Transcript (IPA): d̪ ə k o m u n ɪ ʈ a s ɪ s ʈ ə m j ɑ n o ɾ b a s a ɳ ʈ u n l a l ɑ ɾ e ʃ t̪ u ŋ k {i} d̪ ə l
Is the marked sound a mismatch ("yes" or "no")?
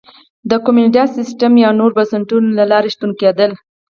yes